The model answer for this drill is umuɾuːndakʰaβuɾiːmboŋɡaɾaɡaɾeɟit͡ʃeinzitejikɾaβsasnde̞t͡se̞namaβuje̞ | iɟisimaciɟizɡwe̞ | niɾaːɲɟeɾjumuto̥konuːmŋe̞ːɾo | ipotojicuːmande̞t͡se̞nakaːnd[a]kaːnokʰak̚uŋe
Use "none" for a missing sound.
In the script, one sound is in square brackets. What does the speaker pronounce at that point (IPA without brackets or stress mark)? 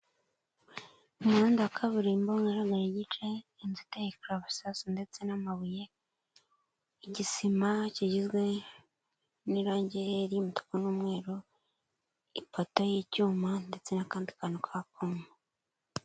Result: i